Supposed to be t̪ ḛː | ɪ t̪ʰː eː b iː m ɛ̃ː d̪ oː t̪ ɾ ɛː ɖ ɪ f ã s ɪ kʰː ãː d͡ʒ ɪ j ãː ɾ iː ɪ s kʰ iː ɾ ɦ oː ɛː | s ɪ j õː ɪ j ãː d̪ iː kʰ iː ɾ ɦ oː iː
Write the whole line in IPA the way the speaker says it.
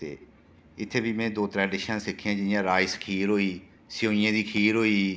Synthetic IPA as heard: t̪ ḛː | ɪ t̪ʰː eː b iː m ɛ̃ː d̪ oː t̪ ɾ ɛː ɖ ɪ ʃ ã s ɪ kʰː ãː d͡ʒ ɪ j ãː ɾ aː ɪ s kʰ iː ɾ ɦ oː iː | s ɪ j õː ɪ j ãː d̪ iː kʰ iː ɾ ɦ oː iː